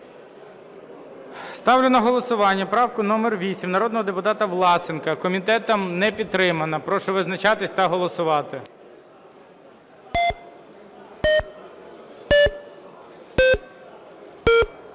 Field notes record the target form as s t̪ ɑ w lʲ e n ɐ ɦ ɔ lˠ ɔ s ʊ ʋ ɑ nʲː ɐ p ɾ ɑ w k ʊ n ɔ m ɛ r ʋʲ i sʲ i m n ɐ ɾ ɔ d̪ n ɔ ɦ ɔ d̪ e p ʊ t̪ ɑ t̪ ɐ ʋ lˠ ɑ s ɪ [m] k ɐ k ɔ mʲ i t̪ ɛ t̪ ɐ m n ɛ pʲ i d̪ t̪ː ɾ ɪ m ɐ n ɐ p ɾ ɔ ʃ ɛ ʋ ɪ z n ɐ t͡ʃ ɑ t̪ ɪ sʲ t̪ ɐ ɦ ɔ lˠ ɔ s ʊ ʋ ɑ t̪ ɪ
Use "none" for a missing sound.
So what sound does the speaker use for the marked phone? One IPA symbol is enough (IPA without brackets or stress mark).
n